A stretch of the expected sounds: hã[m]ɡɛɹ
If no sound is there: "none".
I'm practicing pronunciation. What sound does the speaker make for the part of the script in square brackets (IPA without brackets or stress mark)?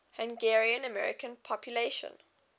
ŋ